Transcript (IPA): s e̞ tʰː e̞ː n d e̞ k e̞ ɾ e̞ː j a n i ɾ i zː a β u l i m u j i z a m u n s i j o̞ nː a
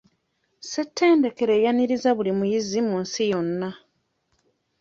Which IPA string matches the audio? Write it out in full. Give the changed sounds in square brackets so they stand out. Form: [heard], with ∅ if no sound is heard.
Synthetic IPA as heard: s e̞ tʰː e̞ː n d e̞ k e̞ ɾ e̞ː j a n i ɾ i [z] a β u l i m u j i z [i] m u n s i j o̞ nː a